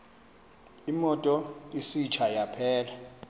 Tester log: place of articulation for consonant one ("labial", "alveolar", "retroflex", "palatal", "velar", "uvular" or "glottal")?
labial